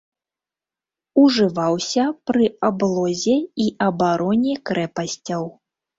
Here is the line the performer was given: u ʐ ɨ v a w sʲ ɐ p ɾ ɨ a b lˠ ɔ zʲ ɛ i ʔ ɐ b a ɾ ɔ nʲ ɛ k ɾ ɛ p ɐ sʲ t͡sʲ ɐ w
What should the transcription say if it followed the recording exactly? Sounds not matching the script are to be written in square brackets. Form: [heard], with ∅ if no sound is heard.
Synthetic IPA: u ʐ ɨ v a w sʲ ɐ p ɾ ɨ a b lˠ ɔ zʲ ɛ i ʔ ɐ b a ɾ ɔ nʲ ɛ k ɾ ɛ p ɐ sʲ t͡sʲ ɐ w